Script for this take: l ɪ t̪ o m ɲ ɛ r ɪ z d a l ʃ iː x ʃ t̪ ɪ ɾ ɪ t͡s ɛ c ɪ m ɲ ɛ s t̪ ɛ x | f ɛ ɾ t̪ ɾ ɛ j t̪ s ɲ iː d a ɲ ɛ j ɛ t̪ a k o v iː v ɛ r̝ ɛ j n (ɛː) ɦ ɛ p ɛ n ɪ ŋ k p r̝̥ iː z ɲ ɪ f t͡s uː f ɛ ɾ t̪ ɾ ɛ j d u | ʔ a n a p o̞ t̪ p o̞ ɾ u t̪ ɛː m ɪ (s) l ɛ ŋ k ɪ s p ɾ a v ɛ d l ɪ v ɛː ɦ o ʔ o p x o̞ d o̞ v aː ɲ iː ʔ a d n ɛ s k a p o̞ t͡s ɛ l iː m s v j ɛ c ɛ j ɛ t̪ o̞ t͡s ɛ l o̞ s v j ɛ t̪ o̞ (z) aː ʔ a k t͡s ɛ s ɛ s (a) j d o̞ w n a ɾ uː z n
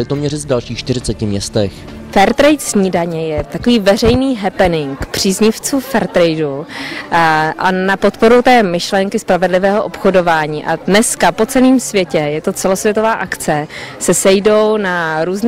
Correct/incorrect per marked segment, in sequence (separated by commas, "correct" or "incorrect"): incorrect, incorrect, incorrect, incorrect